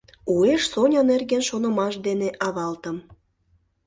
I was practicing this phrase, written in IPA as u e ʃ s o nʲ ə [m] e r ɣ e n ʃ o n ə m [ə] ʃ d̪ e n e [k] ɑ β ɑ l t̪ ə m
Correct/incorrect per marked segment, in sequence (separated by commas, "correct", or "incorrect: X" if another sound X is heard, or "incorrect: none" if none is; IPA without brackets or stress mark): incorrect: n, incorrect: ɑ, incorrect: ʔ